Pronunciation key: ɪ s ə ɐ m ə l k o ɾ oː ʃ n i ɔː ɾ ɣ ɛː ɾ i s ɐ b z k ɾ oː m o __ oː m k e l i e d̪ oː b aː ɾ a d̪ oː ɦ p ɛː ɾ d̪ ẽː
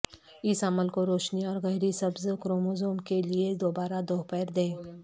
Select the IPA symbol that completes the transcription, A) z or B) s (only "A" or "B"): A